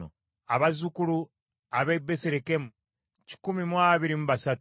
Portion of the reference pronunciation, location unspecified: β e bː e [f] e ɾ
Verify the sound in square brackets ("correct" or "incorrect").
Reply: incorrect